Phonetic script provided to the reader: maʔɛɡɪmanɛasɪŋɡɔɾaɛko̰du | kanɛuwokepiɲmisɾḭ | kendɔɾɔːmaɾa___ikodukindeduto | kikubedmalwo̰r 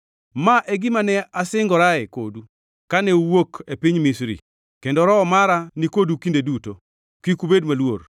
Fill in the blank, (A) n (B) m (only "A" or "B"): A